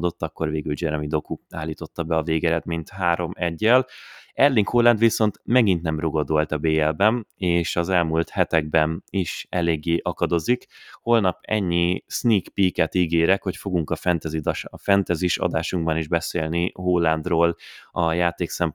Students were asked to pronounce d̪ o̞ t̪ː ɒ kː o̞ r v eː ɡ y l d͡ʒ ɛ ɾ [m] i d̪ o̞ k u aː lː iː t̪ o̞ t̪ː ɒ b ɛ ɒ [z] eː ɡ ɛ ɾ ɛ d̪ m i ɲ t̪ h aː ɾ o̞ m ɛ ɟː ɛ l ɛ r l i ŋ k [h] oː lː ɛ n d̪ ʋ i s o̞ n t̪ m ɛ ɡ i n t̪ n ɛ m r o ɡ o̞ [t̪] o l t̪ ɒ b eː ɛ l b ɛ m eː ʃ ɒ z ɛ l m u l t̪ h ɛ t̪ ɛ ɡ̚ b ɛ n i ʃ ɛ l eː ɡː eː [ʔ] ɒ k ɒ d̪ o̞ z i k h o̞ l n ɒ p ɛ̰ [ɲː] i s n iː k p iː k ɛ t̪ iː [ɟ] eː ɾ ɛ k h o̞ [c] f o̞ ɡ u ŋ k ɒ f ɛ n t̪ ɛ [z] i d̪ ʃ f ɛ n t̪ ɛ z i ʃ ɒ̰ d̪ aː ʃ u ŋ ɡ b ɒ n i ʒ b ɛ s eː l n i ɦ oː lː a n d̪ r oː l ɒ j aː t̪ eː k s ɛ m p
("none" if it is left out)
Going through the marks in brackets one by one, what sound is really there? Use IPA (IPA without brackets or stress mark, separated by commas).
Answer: m, v, h, d̪, ʔ, ɲː, ɡ, c, z